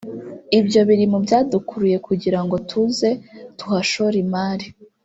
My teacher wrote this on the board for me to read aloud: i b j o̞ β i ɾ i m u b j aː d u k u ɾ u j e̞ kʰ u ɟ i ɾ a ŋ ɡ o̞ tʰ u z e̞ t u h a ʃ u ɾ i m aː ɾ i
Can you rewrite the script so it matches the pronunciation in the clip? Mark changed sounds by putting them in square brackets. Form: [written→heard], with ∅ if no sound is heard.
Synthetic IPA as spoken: i b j o̞ β i ɾ i m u b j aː d u k u ɾ u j e̞ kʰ u ɟ i ɾ a ŋ ɡ o̞ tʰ u z e̞ t u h a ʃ [u→o] ɾ i m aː ɾ i